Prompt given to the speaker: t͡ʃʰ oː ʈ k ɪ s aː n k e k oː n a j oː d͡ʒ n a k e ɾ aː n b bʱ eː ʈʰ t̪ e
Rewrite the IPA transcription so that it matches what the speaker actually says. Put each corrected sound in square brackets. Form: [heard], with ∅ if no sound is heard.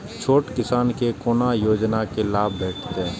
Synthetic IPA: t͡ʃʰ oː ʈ k ɪ s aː n k e k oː n a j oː d͡ʒ n a k e [l] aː [∅] b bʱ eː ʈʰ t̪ e